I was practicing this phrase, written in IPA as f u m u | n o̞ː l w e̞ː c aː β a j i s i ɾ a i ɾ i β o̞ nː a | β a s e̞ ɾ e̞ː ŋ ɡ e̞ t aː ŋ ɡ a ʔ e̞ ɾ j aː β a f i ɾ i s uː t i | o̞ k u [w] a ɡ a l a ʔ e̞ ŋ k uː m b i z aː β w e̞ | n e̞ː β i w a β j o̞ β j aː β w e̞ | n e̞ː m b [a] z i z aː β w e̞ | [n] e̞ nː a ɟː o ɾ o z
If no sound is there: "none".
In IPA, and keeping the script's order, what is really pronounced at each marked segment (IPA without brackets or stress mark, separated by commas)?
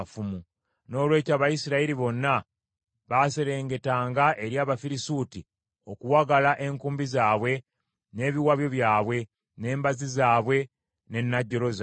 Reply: w, a, n